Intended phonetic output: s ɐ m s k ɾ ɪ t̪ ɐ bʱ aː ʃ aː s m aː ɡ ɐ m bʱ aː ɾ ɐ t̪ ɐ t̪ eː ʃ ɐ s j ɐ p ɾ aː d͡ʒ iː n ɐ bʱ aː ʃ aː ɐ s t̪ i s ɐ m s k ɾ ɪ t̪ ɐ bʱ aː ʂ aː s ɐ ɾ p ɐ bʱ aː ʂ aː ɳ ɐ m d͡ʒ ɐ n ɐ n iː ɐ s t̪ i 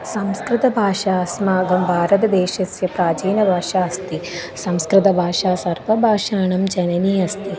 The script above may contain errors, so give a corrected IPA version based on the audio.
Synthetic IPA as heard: s ɐ m s k ɾ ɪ t̪ ɐ bʱ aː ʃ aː s m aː ɡ ɐ m bʱ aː ɾ ɐ t̪ ɐ d̪ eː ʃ ɐ s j ɐ p ɾ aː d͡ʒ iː n ɐ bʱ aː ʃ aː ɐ s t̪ i s ɐ m s k ɾ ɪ t̪ ɐ bʱ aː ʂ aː s ɐ ɾ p ɐ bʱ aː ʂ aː ɳ ɐ m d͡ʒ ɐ n ɐ n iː ɐ s t̪ i